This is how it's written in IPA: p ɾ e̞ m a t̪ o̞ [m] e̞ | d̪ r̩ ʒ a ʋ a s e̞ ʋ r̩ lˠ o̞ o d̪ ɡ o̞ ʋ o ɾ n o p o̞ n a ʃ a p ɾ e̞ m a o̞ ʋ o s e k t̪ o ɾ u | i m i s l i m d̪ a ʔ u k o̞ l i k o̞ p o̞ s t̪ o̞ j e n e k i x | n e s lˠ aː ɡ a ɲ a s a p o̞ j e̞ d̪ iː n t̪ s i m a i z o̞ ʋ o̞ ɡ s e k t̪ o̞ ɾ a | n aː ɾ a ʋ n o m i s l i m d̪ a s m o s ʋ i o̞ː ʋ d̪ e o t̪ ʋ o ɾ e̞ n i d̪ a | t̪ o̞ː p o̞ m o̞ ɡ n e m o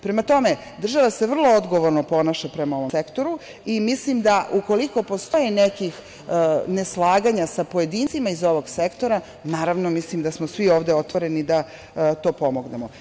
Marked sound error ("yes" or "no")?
no